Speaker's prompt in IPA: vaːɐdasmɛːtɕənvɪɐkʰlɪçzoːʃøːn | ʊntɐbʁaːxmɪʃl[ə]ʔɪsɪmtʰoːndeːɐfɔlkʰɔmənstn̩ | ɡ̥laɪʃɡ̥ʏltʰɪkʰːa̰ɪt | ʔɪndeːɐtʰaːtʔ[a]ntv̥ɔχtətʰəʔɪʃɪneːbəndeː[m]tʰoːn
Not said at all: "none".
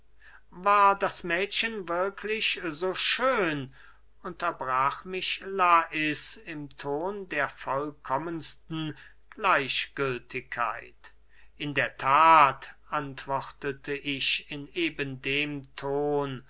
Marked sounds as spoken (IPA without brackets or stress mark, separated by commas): a, a, m